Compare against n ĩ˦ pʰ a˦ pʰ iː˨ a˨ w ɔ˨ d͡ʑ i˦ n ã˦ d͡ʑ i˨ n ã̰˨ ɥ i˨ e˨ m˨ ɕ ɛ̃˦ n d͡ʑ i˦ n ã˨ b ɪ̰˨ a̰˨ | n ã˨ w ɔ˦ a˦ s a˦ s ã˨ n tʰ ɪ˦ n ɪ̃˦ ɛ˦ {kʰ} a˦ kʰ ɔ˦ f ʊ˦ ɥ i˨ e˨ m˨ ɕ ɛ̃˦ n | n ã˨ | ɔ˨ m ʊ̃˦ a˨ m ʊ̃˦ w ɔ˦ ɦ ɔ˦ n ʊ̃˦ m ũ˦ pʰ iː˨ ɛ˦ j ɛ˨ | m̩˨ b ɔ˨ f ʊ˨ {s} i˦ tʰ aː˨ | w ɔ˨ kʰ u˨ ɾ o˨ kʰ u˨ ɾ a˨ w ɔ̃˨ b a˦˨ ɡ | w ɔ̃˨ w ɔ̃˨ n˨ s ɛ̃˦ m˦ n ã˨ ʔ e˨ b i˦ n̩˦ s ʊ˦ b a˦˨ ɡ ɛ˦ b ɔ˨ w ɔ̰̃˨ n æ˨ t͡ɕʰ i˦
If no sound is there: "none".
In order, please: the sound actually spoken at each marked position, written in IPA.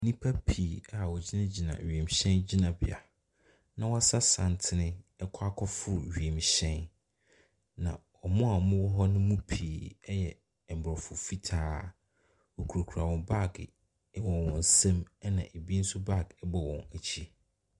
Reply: kʰ, f

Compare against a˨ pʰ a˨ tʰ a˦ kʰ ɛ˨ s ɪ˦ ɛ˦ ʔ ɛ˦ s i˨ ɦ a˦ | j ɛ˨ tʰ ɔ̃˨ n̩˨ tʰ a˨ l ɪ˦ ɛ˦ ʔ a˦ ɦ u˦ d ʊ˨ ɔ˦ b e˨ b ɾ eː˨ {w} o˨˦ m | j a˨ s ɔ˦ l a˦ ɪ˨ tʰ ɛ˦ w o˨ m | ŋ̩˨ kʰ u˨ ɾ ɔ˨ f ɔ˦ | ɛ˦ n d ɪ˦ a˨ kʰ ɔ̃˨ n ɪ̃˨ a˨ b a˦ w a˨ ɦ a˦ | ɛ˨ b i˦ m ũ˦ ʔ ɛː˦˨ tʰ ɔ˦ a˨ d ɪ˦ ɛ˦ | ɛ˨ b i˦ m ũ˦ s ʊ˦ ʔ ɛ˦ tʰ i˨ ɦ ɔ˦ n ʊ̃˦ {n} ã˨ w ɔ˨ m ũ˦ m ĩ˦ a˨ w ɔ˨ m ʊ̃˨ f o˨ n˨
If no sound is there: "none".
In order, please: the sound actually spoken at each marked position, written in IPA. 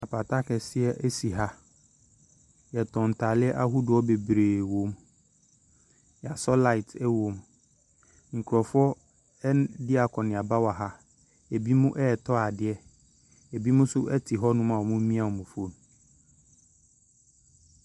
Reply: w, m

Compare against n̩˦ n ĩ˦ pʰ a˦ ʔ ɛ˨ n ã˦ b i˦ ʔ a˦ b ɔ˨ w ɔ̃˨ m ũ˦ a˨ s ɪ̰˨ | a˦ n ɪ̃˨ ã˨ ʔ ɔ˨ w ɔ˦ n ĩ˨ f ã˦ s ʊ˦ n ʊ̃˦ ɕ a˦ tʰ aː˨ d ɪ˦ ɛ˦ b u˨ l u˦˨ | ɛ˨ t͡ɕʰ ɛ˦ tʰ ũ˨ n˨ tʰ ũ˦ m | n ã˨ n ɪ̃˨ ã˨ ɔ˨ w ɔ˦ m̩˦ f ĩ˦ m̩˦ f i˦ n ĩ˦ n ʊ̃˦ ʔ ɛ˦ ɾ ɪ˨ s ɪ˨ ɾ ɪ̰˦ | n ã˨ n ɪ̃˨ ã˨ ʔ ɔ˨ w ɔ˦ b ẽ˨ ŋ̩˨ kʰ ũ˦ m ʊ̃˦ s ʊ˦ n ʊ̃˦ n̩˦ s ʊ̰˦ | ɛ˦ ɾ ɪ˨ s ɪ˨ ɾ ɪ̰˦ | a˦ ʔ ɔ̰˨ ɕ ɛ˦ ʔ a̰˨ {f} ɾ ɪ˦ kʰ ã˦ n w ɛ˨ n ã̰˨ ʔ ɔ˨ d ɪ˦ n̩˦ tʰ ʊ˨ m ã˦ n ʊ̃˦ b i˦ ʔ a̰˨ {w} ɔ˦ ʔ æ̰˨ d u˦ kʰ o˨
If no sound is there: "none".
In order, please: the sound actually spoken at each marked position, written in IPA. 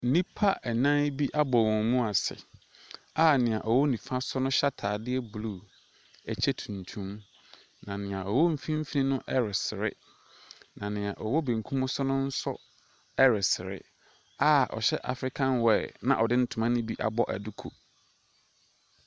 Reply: f, b

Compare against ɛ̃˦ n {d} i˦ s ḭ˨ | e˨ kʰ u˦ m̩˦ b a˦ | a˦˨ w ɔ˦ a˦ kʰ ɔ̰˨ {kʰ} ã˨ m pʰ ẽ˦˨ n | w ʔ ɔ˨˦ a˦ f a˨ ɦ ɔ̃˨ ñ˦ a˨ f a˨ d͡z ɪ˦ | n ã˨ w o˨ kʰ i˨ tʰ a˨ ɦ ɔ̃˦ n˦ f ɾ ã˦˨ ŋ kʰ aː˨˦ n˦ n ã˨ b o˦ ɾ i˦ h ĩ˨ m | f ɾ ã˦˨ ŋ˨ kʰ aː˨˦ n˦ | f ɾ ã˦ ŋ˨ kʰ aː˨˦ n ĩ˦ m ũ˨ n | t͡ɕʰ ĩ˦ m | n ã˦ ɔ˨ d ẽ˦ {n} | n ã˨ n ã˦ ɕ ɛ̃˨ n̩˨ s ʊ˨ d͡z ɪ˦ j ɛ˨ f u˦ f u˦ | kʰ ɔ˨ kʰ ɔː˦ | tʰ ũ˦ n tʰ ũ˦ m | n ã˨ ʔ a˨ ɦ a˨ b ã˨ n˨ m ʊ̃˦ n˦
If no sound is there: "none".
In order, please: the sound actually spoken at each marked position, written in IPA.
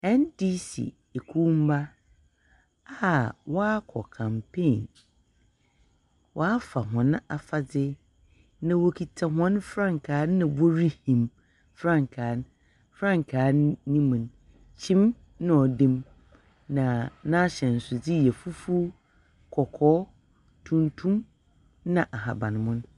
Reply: d, kʰ, m

